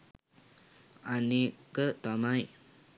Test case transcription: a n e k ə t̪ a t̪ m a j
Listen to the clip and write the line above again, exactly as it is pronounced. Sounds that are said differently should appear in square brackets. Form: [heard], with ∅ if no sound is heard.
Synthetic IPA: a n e k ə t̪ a [∅] m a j